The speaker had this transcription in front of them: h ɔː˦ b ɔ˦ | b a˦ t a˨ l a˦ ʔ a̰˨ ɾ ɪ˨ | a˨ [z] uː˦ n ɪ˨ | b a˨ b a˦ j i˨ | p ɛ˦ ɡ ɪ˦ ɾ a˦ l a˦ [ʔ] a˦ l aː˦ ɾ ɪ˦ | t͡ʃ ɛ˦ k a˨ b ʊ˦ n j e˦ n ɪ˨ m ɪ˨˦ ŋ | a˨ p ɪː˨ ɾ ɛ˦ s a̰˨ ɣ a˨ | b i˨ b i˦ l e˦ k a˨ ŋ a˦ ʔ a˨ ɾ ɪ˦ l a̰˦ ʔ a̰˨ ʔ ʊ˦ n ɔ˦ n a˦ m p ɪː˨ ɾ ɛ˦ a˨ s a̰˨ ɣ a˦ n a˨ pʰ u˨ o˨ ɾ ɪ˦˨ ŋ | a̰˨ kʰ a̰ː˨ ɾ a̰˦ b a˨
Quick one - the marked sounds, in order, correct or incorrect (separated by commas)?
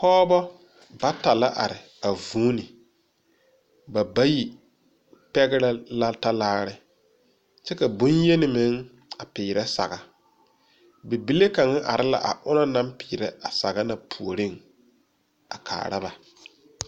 incorrect, incorrect